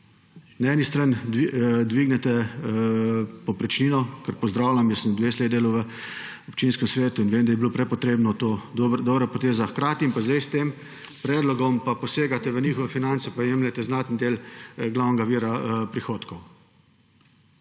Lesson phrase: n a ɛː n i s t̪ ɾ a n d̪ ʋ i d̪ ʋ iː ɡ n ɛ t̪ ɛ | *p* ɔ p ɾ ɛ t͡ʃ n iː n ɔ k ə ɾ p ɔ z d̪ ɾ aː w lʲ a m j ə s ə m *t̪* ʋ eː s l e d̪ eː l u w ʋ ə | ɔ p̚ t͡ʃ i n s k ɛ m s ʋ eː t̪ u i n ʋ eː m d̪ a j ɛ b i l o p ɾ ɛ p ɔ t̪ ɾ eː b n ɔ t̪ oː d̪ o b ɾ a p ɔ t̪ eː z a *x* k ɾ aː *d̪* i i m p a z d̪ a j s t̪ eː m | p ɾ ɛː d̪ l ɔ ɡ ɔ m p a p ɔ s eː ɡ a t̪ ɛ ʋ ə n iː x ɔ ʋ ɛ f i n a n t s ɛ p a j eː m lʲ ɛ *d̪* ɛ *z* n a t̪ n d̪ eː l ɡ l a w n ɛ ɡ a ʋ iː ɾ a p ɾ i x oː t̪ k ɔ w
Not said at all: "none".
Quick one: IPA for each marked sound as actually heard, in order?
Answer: p, d̪, x, t̪, t̪, z

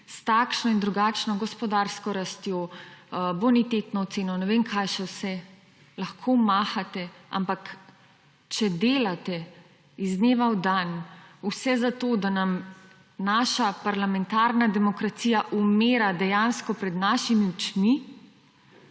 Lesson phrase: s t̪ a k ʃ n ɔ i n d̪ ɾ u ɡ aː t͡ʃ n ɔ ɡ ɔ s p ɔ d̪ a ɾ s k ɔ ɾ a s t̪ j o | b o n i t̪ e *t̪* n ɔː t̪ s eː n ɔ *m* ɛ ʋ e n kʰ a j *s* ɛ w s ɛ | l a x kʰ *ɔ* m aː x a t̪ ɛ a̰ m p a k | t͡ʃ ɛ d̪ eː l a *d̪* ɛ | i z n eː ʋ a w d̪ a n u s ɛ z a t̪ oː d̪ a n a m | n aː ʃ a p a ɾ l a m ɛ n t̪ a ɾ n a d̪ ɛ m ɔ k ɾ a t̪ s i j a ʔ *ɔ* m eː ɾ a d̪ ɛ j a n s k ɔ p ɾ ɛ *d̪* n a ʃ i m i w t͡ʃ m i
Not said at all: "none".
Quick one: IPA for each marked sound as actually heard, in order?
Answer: t̪, n, ʃ, o, t̪, u, d̪

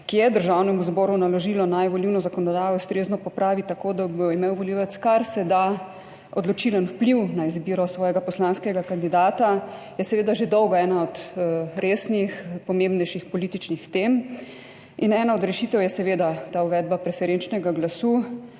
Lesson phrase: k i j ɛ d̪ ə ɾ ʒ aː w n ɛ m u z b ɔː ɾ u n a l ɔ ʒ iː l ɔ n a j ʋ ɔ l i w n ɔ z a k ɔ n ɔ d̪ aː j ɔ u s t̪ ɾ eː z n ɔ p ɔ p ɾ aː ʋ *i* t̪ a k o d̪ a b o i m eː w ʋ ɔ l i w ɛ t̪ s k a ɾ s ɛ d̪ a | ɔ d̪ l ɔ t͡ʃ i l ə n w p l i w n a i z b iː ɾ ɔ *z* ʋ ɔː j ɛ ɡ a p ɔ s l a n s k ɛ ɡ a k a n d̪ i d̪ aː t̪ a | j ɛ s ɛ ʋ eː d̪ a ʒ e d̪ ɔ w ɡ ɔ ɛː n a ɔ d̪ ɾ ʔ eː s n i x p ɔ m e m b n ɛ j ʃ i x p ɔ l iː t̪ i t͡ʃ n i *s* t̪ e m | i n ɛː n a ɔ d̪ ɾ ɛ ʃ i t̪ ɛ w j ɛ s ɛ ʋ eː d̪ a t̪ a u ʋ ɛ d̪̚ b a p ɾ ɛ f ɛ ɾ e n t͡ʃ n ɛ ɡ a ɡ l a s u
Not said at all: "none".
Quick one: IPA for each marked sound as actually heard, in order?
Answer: i, s, x

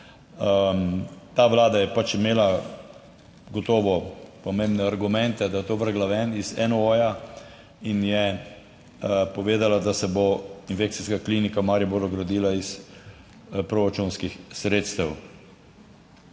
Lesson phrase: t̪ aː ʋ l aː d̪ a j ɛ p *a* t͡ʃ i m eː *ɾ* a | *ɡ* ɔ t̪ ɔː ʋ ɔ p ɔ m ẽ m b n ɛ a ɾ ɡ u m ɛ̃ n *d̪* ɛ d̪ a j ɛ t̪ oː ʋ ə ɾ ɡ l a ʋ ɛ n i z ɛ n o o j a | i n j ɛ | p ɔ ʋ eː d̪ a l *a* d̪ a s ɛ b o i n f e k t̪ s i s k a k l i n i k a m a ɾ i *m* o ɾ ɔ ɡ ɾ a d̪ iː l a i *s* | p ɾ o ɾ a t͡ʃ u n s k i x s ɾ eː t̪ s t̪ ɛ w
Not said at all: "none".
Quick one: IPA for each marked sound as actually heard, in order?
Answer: a, l, ɡ, t̪, a, b, s

